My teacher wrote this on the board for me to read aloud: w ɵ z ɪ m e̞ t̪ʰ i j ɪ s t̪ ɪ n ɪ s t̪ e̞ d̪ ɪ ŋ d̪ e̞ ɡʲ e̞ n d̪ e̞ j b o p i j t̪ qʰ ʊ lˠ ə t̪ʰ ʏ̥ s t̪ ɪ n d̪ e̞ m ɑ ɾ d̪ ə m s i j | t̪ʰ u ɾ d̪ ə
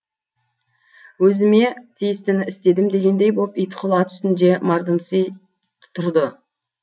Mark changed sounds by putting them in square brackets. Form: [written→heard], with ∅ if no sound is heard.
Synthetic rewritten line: w ɵ z ɪ m e̞ t̪ʰ i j ɪ s t̪ ɪ n ɪ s t̪ e̞ d̪ ɪ [ŋ→m] d̪ e̞ ɡʲ e̞ n d̪ e̞ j b o p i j t̪ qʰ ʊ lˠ [ə→ɑ] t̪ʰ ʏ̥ s t̪ ɪ n d̪ e̞ m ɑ ɾ d̪ ə m s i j | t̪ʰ [u→ʊ] ɾ d̪ ə